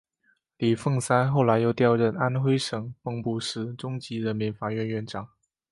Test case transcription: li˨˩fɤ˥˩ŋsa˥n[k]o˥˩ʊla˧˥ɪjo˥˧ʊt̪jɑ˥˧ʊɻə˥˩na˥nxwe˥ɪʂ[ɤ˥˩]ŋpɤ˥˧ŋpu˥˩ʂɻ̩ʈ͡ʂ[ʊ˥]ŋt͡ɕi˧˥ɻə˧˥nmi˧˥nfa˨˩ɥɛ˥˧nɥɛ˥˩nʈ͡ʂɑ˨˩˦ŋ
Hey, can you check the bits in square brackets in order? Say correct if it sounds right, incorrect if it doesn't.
incorrect: x, incorrect: ɤ˨˩, correct

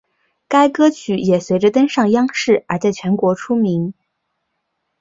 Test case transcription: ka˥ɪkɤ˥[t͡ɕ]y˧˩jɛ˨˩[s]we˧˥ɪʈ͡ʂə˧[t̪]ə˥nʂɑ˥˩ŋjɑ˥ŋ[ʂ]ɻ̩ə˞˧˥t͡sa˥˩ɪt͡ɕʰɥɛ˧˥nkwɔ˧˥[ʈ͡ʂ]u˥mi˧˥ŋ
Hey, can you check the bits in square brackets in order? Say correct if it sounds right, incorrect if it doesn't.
incorrect: t͡ɕʰ, correct, correct, correct, incorrect: ʈ͡ʂʰ

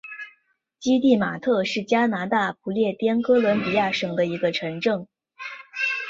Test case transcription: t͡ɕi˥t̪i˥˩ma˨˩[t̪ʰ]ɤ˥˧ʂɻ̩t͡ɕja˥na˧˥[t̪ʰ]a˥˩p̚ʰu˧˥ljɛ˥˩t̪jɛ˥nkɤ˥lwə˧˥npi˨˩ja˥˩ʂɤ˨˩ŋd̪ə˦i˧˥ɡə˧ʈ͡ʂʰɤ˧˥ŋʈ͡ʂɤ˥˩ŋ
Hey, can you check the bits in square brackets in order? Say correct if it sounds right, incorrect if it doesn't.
correct, incorrect: t̪

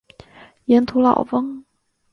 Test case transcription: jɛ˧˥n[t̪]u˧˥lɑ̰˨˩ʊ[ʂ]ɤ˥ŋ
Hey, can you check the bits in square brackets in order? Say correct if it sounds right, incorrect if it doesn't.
incorrect: t̪ʰ, incorrect: f

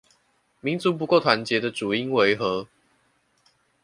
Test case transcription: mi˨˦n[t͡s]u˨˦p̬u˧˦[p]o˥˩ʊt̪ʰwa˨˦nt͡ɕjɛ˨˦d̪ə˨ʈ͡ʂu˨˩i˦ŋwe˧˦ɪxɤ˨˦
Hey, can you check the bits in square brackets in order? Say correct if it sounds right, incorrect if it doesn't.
correct, incorrect: k

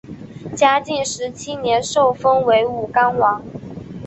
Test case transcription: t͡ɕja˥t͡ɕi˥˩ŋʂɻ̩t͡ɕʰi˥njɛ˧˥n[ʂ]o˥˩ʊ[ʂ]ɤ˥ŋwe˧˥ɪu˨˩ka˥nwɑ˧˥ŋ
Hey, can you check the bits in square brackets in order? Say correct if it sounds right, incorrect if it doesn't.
correct, incorrect: f

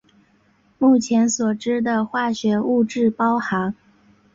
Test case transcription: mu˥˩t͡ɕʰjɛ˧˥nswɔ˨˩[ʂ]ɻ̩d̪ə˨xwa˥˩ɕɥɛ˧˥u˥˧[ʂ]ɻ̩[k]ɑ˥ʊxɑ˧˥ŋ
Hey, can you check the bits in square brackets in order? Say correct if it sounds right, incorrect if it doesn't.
incorrect: ʈ͡ʂ, incorrect: ʈ͡ʂ, incorrect: p

